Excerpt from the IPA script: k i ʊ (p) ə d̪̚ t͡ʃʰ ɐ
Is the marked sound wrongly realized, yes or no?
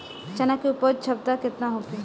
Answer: no